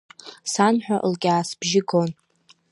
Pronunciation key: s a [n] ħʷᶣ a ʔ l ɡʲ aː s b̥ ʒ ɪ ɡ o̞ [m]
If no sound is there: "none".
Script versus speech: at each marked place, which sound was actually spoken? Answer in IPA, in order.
n, n

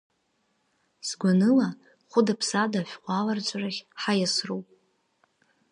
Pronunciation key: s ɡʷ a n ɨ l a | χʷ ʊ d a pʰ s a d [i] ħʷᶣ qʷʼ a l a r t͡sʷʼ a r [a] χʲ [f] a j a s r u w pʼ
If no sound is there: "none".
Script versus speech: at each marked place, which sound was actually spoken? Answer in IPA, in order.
a, a, ħ

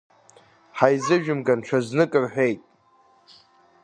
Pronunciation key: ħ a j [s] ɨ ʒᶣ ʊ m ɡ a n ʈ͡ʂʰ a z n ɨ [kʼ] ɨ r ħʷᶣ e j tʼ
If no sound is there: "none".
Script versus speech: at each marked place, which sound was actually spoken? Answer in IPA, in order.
z, kʼ

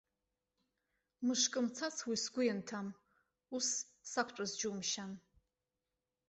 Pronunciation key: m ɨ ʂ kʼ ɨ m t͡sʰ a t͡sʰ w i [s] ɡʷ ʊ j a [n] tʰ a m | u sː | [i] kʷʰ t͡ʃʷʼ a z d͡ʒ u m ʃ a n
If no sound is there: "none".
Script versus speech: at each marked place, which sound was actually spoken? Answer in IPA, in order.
s, n, a

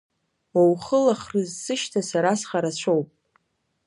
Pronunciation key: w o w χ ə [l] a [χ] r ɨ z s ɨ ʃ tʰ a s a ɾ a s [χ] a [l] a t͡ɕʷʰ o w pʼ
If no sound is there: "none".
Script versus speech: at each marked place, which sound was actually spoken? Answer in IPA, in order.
l, χ, χ, ɾ

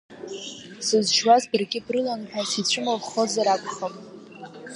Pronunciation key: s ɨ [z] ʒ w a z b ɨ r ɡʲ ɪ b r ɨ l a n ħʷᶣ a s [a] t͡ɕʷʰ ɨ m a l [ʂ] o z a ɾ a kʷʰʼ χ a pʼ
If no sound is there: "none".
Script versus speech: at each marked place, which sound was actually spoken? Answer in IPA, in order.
z, i, χ

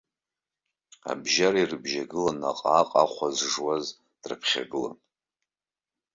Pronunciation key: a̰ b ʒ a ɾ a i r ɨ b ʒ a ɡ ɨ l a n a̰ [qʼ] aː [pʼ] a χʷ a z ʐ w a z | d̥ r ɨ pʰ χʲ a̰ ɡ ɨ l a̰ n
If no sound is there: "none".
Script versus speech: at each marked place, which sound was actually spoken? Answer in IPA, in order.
qʼ, qʼ

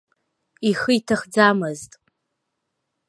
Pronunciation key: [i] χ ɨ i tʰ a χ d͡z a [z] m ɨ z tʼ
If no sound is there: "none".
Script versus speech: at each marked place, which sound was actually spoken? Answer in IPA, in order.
i, none

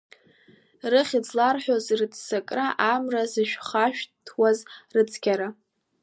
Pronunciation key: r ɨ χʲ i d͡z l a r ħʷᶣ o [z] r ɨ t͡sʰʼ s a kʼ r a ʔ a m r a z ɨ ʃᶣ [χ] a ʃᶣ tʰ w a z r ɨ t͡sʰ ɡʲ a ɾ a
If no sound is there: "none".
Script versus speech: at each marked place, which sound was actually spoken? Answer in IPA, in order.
z, χ

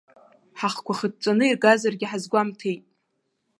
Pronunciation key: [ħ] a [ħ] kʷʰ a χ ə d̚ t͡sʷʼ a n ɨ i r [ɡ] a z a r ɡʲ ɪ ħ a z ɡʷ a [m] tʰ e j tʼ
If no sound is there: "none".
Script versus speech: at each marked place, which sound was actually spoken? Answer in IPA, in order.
ħ, χ, ɡ, m

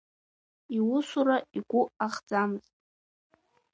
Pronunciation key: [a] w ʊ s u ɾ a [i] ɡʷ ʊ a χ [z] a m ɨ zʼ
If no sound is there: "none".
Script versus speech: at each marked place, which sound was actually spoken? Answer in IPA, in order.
i, i, d͡z

